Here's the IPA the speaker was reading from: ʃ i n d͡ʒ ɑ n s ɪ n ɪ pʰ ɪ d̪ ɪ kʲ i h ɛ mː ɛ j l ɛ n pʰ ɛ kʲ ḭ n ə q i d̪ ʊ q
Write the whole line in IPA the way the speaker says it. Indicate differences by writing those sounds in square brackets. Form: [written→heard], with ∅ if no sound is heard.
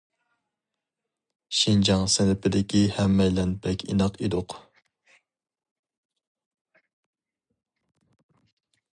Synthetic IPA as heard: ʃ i n d͡ʒ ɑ [n→ŋ] s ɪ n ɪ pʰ ɪ d̪ ɪ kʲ i h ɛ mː ɛ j l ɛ n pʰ ɛ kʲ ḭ n [ə→ɑ] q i d̪ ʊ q